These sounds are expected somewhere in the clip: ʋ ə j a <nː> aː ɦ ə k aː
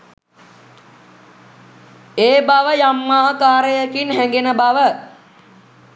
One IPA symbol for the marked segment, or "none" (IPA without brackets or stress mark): mː